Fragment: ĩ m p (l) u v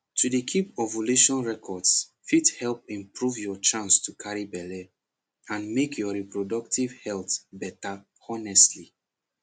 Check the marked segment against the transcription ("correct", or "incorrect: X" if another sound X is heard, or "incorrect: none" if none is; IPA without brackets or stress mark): incorrect: ɹ